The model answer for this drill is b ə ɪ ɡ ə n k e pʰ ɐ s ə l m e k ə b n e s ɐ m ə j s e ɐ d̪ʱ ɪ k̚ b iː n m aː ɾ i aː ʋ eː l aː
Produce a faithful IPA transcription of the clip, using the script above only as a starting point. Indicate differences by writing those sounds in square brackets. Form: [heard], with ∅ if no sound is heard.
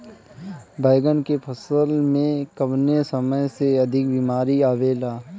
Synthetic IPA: b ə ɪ ɡ ə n k e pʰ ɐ s ə l m [ẽ] k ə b n e s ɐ m ə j s e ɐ d̪ʱ ɪ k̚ b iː [∅] m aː ɾ i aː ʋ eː l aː